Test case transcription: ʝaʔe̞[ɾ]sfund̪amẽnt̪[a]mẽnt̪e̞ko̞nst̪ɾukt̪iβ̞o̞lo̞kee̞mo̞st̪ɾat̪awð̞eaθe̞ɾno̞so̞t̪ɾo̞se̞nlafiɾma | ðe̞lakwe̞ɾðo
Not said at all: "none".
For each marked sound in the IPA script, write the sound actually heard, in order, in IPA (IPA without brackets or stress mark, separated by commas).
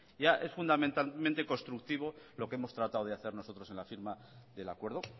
none, a